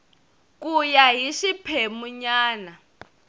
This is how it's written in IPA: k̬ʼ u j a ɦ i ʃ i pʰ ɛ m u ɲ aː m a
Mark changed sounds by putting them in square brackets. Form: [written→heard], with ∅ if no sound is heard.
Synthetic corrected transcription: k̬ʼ u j a ɦ i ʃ i pʰ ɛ m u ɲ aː [m→n] a